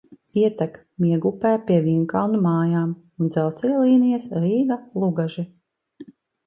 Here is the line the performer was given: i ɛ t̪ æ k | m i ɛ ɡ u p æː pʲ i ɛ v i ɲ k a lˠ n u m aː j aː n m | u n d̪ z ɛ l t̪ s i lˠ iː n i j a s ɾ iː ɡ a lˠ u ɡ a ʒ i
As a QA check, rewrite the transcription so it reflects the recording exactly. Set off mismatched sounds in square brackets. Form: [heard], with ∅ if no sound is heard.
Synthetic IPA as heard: i ɛ t̪ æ k | m i ɛ ɡ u p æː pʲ i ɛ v i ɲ k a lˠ n u m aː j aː [∅] m | u n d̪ z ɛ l t̪ s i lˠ iː n i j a s ɾ iː ɡ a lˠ u ɡ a ʒ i

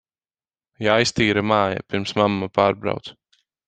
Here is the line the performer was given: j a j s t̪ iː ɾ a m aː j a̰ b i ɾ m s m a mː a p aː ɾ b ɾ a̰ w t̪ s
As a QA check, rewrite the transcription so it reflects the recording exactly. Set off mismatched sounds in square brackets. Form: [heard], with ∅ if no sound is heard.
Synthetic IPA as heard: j a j s t̪ iː ɾ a m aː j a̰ [p] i ɾ m s m a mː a p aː ɾ b ɾ a̰ w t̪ s

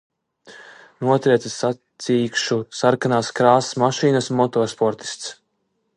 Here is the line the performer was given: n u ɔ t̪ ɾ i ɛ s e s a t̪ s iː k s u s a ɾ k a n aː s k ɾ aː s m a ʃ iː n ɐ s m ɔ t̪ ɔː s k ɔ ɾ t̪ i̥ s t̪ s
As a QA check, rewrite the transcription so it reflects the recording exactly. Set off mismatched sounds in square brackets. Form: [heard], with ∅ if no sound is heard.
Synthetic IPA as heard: n u ɔ t̪ ɾ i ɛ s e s a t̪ s iː k [ʃ] u s a ɾ k a n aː s k ɾ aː s m a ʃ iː n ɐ s m ɔ t̪ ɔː s [p] ɔ ɾ t̪ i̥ s t̪ s

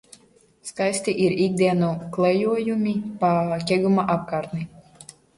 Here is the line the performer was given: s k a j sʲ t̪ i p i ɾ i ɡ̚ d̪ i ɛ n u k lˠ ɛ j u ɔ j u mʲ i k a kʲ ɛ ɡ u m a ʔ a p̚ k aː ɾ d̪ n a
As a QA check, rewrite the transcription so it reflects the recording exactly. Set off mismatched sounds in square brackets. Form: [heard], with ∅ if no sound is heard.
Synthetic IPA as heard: s k a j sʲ t̪ i [ʔ] i ɾ i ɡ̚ d̪ i ɛ n u k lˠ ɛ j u ɔ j u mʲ i [p] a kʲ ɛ ɡ u m a ʔ a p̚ k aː ɾ [t̪] n [i]

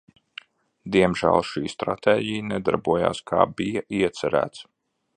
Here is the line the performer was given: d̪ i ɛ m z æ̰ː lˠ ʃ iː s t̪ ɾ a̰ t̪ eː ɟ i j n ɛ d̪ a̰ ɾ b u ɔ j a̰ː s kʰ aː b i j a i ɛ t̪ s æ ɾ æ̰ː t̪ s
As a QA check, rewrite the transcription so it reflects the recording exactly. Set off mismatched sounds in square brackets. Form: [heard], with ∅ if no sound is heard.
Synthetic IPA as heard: d̪ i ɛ m [ʒ] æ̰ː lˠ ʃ iː s t̪ ɾ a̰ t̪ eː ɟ i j n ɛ d̪ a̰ ɾ b u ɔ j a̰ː s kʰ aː b i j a i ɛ t̪ s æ ɾ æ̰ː t̪ s

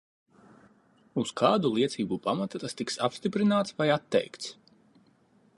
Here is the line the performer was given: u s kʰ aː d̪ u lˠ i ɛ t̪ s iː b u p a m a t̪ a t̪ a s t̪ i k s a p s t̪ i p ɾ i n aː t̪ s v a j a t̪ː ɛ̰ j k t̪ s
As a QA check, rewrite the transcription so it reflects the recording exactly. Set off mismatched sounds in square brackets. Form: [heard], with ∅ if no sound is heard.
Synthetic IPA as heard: u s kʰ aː d̪ u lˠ i ɛ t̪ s iː b u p a m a t̪ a t̪ a s t̪ i k s a p s t̪ i p ɾ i n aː t̪ s v a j a t̪ː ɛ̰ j k t̪ s

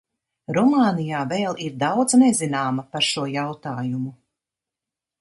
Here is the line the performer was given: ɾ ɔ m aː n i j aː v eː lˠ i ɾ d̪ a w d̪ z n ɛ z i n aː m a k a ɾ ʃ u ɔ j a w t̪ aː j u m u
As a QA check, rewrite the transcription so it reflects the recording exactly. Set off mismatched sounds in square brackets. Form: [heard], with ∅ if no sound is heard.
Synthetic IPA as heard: ɾ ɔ m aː n i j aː v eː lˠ i ɾ d̪ a w d̪ z n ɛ z i n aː m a [p] a ɾ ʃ u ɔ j a w t̪ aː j u m u

